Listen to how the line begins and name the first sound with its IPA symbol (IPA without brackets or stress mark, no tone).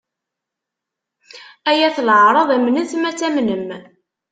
æ